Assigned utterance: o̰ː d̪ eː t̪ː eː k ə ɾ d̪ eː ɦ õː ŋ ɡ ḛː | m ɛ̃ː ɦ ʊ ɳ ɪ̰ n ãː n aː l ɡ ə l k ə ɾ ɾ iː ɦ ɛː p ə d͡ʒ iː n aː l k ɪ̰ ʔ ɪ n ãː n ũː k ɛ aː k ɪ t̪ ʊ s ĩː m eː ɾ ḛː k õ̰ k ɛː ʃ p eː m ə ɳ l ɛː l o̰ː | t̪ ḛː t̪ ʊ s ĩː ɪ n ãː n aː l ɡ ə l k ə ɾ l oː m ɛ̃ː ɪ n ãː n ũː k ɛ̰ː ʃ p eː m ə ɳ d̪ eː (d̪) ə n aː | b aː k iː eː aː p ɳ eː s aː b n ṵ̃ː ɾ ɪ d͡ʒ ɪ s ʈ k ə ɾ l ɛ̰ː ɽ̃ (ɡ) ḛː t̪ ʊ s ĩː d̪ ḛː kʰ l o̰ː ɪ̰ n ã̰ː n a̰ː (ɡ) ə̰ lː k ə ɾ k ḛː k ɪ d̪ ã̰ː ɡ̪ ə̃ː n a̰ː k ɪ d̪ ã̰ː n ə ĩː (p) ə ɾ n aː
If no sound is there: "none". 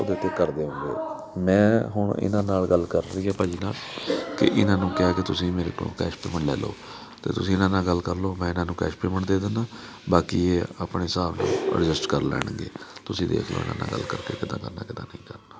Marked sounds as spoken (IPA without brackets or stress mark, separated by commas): d̪, ɡ, ɡ, k